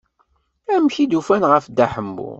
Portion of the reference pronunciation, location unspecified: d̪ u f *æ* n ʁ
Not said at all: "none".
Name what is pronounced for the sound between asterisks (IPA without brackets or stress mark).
æ